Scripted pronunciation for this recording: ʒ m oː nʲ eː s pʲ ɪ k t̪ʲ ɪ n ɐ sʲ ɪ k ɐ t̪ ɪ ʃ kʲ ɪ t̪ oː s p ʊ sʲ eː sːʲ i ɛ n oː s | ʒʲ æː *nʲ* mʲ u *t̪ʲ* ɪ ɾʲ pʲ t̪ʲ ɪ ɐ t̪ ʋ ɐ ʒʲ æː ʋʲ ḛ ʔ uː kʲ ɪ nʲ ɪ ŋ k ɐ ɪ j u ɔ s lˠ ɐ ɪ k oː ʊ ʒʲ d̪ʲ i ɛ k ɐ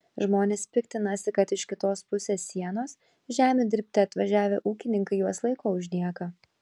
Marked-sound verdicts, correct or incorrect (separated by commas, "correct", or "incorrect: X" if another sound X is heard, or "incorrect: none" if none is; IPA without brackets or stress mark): incorrect: none, incorrect: d̪ʲ